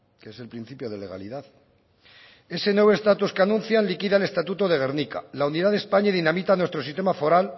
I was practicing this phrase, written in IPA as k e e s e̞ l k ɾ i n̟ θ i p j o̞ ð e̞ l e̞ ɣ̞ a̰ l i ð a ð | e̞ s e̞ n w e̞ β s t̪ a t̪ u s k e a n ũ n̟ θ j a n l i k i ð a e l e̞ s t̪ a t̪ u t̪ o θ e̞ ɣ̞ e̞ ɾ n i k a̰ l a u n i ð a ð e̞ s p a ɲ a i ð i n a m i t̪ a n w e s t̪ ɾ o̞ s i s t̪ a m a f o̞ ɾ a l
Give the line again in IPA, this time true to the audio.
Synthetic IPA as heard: k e e s e̞ l p ɾ i n̟ θ i p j o̞ ð e̞ l e̞ ɣ̞ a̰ l i ð a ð | e̞ s e̞ n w e̞ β s t̪ a t̪ u s k e a n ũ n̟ θ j a n l i k i ð a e l e̞ s t̪ a t̪ u t̪ o ð e̞ ɣ̞ e̞ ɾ n i k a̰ l a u n i ð a ð e̞ s p a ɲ a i ð i n a m i t̪ a n w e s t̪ ɾ o̞ s i s t̪ e m a f o̞ ɾ a l

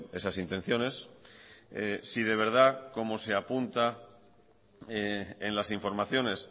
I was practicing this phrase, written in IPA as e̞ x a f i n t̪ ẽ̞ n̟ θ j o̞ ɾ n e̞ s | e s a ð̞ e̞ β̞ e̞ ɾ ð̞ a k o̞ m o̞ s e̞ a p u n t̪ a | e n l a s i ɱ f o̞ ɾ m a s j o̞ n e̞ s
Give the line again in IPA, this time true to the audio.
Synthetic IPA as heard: e̞ s a s i n t̪ e̞ n̟ θ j o̞ n e̞ s | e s i ð̞ e̞ β̞ e̞ ɾ ð̞ a k o̞ m o̞ s e̞ a p u n t̪ a | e n l a s i ɱ f o̞ ɾ m a θ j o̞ n e̞ s

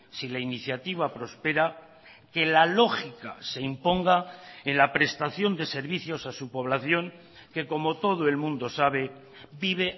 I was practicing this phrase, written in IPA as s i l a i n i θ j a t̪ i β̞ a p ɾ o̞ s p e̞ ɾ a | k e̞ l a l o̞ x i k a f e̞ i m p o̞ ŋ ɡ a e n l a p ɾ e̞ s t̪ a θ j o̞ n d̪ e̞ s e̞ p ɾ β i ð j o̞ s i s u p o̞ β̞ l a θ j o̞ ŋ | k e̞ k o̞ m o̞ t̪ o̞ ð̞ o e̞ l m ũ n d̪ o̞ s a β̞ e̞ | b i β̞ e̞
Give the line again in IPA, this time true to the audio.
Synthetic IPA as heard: s i l a i n i θ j a t̪ i β̞ a p ɾ o̞ s p e̞ ɾ a | k e̞ l a l o̞ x i k a s e̞ i m p o̞ ŋ ɡ a e n l a p ɾ e̞ s t̪ a θ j o̞ n d̪ e̞ s e̞ ɾ β i θ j o̞ s a s u p o̞ β̞ l a θ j o̞ ŋ | k e̞ k o̞ m o̞ t̪ o̞ ð̞ o e̞ l m ũ n d̪ o̞ s a β̞ e̞ | b i β̞ e̞

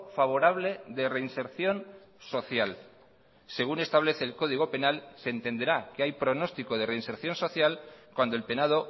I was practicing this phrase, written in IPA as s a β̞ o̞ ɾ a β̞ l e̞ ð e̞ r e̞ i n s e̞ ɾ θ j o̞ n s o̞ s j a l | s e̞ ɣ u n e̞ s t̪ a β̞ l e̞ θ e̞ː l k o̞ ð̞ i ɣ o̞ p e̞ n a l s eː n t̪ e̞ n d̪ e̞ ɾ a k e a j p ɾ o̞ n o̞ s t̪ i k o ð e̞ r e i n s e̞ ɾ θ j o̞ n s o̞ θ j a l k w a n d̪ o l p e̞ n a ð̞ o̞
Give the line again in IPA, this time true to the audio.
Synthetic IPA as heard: f a β̞ o̞ ɾ a β̞ l e̞ ð e̞ r e̞ i n s e̞ ɾ θ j o̞ n s o̞ θ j a l | s e̞ ɣ u n e̞ s t̪ a β̞ l e̞ θ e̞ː l k o̞ ð̞ i ɣ o̞ p e̞ n a l s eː n t̪ e̞ n d̪ e̞ ɾ a k e a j p ɾ o̞ n o̞ s t̪ i k o ð e̞ r e i n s e̞ ɾ θ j o̞ n s o̞ θ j a l k w a n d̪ o l p e̞ n a ð̞ o̞

